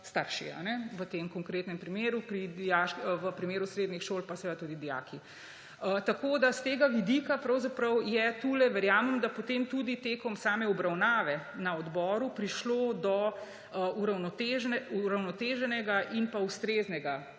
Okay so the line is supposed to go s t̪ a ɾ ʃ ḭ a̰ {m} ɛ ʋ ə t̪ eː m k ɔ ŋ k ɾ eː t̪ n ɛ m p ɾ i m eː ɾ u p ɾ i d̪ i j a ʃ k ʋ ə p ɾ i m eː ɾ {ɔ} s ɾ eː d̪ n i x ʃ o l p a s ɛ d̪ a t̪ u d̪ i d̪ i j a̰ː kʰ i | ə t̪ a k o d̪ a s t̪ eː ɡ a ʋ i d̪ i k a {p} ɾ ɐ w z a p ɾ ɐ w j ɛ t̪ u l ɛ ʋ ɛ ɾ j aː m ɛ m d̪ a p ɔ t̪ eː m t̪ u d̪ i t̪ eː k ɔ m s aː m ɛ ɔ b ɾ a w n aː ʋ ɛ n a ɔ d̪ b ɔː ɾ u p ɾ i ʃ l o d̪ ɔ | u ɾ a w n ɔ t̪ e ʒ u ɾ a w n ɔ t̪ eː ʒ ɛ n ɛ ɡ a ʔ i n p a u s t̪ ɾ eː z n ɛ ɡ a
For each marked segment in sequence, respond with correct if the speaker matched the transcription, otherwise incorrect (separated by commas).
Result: incorrect, incorrect, correct